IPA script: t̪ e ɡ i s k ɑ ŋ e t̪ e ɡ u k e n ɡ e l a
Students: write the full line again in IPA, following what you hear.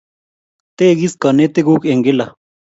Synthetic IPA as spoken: t̪ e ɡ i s k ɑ n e t̪ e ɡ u k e ŋ ɡ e l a

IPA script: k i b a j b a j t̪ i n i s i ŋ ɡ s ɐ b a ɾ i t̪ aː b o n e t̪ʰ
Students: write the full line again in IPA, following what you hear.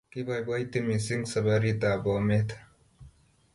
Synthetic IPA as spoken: k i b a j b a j t̪ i m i s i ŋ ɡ s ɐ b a ɾ i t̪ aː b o m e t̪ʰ

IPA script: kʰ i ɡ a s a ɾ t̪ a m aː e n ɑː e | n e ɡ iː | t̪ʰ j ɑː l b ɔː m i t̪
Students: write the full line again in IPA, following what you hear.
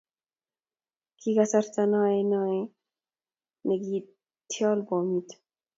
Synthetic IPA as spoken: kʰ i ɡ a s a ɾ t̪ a n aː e n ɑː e | n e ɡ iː | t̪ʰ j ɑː l b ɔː m i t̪

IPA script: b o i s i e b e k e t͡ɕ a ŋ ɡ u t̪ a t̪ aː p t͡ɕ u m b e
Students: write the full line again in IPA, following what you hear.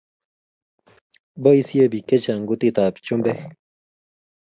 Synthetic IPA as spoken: b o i s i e b i k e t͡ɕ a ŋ ɡ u t̪ i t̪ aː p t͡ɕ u m b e

